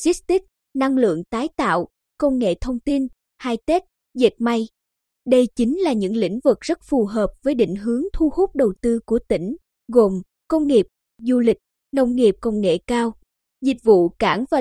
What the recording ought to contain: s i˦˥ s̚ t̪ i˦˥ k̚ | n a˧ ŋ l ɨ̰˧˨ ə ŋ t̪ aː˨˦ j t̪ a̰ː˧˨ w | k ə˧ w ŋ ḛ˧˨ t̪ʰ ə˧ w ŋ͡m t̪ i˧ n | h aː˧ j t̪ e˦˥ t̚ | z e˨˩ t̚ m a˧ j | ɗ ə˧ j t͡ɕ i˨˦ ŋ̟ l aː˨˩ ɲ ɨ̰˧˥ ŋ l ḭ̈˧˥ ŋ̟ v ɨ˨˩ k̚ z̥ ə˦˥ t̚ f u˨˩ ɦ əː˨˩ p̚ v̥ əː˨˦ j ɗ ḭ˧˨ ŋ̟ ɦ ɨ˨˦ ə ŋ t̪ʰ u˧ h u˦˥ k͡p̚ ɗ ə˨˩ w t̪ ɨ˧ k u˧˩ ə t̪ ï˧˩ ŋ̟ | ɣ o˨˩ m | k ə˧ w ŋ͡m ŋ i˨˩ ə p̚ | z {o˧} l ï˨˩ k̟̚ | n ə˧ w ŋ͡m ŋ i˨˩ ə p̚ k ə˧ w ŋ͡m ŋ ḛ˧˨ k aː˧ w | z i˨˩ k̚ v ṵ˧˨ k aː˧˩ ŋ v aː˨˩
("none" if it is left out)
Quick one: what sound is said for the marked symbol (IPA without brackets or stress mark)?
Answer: u˧